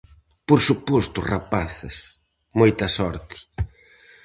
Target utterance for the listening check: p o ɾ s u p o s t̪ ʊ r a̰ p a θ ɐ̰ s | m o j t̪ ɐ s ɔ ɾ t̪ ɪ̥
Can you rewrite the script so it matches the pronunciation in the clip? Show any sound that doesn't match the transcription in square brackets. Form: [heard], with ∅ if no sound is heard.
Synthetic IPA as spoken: p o ɾ s u p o s t̪ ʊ r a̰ p a θ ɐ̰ s | m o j t̪ ɐ s ɔ ɾ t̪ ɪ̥